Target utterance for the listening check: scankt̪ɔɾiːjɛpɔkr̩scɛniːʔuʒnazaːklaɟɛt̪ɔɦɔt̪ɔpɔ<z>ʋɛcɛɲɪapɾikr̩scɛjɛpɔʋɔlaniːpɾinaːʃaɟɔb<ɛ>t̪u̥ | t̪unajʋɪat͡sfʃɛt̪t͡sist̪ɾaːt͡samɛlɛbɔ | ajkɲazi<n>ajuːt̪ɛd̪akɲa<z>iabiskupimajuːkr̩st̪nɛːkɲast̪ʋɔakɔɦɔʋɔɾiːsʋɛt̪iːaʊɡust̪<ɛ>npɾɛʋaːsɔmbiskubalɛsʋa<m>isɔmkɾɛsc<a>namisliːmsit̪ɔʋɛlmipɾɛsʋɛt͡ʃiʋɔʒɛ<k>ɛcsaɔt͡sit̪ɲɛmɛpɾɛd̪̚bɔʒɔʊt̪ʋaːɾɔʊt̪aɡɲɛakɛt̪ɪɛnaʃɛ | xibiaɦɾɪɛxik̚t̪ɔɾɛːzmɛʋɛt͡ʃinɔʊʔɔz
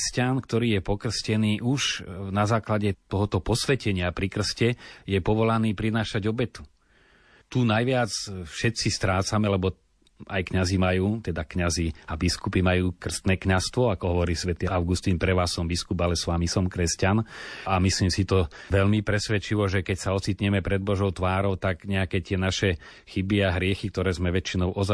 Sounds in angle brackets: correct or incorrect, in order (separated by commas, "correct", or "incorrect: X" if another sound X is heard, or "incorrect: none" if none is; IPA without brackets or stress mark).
incorrect: s, correct, incorrect: m, correct, incorrect: i, correct, correct, correct